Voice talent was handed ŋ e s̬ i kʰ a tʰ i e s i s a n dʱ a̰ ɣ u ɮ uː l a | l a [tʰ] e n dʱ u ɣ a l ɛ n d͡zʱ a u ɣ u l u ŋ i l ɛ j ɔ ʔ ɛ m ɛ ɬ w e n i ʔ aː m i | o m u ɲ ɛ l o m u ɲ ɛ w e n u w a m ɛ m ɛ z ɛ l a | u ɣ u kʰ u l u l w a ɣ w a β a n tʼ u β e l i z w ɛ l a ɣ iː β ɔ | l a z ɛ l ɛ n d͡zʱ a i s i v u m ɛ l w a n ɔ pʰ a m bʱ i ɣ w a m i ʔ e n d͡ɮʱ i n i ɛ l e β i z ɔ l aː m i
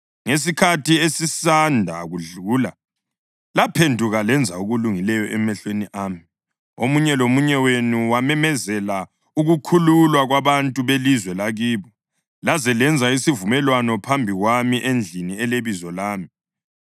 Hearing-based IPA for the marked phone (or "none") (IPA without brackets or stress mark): pʰ